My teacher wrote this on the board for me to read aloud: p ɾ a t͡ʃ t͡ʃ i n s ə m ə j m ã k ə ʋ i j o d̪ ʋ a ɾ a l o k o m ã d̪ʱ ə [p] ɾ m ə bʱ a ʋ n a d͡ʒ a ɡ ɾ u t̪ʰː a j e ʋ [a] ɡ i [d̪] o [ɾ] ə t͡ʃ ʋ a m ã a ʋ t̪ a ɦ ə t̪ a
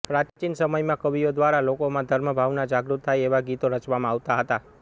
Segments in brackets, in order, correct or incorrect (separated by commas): incorrect, correct, incorrect, correct